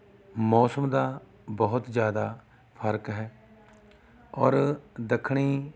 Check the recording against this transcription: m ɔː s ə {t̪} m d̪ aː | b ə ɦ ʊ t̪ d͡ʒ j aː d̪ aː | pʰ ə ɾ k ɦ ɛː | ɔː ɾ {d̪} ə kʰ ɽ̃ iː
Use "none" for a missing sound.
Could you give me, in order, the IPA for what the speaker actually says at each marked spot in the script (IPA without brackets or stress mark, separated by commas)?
none, d̪